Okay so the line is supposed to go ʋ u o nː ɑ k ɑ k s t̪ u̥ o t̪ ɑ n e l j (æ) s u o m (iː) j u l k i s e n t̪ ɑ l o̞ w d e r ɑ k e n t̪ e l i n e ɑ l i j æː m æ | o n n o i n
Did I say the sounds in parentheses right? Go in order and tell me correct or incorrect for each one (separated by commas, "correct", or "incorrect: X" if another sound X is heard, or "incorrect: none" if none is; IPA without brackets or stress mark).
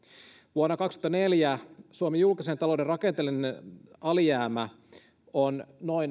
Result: correct, incorrect: i